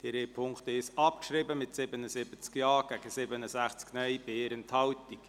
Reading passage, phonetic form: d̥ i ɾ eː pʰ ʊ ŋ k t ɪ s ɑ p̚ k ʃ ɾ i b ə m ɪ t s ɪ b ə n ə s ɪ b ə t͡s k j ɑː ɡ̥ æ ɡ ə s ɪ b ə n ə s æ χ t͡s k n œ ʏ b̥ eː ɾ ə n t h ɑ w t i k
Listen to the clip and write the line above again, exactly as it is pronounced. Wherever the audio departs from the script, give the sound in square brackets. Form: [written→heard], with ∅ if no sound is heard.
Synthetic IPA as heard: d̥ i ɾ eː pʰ ʊ ŋ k t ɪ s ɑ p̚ k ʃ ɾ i b ə m ɪ t s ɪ b ə n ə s ɪ b ə t͡s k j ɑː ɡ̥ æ ɡ ə s ɪ b ə n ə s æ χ t͡s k n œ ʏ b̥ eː ɾ ə n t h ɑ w t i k

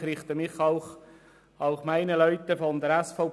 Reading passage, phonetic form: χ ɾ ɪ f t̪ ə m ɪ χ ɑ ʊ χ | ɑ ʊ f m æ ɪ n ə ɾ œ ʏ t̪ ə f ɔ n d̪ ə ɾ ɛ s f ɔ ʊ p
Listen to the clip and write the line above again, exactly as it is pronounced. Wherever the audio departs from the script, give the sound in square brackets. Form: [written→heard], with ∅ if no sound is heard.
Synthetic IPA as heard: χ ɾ ɪ [f→χ] t̪ ə m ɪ χ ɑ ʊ χ | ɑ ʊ [f→χ] m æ ɪ n ə [ɾ→l] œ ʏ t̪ ə f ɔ n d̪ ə ɾ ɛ s f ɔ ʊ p

